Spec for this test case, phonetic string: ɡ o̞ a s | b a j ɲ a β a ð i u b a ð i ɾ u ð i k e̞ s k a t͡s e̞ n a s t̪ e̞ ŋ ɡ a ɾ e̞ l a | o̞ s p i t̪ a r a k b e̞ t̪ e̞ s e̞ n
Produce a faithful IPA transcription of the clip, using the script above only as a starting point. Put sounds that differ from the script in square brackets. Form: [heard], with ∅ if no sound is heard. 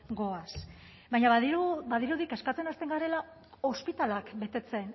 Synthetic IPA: ɡ o̞ a s | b a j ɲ a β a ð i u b a ð i ɾ u ð i k e̞ s k a t͡s e̞ n a s t̪ e̞ ŋ ɡ a ɾ e̞ l a | o̞ s p i t̪ a [l] a k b e̞ t̪ e̞ [t͡s] e̞ n